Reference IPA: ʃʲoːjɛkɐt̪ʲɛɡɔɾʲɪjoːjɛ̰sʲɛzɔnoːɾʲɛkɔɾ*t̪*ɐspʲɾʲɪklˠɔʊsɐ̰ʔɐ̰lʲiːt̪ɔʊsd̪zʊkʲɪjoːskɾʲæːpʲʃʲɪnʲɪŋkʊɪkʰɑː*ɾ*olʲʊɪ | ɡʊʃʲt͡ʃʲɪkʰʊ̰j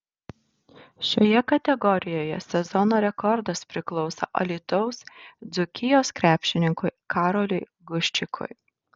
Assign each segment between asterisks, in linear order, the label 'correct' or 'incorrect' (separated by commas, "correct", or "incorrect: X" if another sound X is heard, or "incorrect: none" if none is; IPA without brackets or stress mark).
incorrect: d̪, correct